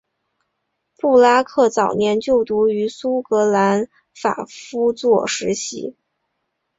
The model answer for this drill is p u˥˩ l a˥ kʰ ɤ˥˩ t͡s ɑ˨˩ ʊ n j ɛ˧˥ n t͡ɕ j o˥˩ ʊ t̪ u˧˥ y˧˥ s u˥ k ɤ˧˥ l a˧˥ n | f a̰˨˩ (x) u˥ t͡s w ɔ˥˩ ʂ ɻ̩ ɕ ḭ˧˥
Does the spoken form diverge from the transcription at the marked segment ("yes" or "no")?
yes